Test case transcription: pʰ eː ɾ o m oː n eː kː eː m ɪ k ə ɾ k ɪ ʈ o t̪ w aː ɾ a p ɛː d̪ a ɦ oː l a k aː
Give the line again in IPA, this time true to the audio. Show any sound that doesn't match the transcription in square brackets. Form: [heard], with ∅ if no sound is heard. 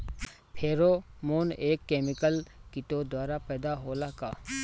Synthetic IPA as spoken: pʰ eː ɾ o m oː n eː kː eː m ɪ k ə [l] k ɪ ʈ o [d̪] w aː ɾ a p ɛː d̪ a ɦ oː l a k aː